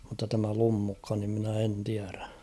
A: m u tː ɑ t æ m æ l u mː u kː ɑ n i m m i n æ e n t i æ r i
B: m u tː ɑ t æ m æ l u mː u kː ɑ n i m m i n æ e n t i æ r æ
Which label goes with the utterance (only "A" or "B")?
B